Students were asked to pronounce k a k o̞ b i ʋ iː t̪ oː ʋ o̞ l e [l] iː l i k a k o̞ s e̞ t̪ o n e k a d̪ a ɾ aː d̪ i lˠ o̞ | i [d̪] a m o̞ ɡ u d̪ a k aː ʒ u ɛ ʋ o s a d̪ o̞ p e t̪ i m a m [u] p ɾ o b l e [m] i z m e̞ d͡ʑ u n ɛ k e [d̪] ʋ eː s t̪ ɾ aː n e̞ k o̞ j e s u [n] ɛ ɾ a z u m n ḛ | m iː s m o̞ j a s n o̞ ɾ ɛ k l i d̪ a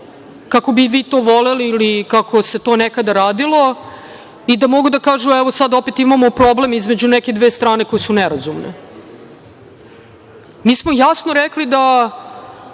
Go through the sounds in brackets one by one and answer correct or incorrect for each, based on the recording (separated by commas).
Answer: correct, correct, incorrect, correct, correct, correct